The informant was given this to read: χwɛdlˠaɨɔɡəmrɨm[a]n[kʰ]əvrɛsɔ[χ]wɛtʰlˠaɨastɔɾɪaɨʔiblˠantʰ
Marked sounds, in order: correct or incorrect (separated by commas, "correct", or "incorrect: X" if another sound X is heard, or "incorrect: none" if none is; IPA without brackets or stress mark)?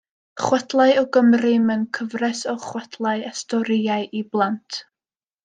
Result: incorrect: ə, correct, correct